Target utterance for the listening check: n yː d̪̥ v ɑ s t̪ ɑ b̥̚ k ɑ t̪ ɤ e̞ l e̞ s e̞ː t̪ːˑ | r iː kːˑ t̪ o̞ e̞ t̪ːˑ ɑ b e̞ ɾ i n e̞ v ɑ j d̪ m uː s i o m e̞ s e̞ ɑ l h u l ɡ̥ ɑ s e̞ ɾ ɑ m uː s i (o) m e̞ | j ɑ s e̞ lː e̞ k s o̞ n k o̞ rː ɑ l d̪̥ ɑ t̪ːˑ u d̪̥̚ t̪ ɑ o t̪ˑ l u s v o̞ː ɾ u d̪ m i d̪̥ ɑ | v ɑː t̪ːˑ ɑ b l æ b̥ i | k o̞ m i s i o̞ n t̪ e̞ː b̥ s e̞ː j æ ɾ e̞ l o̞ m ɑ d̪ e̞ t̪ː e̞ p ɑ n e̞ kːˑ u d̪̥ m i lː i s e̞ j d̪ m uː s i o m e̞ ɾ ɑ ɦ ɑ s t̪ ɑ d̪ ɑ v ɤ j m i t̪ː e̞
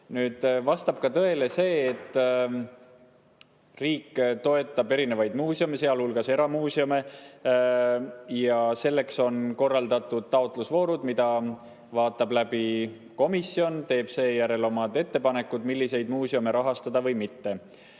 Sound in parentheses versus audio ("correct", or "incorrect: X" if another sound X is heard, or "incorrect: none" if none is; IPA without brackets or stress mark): correct